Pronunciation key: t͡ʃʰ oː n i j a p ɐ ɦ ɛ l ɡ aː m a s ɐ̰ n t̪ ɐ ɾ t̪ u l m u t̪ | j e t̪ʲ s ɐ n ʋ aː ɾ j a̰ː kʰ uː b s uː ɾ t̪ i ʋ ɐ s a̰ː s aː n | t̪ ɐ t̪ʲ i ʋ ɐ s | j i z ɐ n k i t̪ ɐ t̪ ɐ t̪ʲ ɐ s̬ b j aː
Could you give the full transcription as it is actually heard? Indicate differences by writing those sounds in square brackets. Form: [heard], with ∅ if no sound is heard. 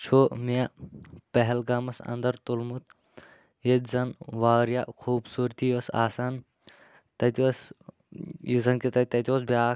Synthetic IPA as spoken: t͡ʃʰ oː [m] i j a p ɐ ɦ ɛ l ɡ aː m [ɐ] s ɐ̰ n [d̪] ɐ ɾ t̪ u l m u t̪ | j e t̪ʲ [z] ɐ n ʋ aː ɾ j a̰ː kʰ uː b s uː ɾ t̪ i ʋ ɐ s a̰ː s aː n | t̪ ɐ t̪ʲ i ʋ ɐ s | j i z ɐ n k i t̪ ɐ t̪ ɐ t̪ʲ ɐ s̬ b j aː